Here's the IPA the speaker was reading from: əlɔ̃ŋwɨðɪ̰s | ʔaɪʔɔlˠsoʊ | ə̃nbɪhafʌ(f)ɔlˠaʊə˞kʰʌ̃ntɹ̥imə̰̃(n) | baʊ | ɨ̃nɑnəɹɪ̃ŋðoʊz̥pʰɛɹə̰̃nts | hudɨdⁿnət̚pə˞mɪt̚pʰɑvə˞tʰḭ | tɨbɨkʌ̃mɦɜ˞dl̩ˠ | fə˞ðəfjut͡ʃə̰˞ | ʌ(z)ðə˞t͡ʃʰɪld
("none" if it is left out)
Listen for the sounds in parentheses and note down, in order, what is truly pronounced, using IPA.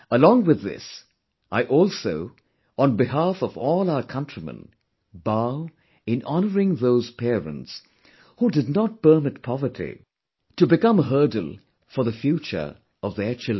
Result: v, n, v

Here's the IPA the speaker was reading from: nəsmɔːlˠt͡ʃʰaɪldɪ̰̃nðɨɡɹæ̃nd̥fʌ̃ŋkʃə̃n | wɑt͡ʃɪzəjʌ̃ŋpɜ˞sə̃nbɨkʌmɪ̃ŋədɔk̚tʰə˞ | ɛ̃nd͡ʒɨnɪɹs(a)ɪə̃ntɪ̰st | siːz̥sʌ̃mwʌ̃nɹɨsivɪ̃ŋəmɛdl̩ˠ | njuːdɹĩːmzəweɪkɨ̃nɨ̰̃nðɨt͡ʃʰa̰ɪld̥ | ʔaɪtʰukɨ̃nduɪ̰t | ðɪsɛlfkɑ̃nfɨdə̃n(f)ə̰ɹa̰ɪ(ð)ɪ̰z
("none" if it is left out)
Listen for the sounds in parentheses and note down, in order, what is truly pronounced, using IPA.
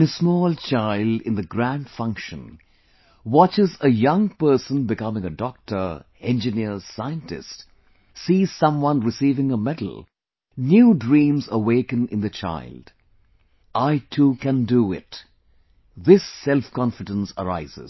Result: a, s, z

